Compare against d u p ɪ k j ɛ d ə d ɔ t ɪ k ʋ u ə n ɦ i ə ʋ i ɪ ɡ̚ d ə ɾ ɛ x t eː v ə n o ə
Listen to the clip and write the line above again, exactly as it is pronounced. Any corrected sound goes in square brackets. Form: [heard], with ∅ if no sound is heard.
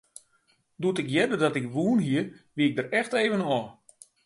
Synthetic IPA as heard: d u [t] ɪ k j ɛ d ə d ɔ t ɪ k ʋ u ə n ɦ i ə ʋ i ɪ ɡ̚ d ə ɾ ɛ x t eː v ə n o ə